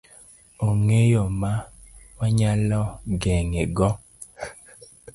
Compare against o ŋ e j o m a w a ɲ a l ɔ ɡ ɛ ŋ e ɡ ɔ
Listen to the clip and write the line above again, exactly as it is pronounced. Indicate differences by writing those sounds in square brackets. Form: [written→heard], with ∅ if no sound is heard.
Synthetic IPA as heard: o ŋ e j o m a w a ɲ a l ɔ ɡ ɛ ŋ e ɡ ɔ